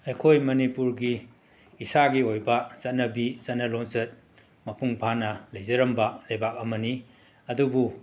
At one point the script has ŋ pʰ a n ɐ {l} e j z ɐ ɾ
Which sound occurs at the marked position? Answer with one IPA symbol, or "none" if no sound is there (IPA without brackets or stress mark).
l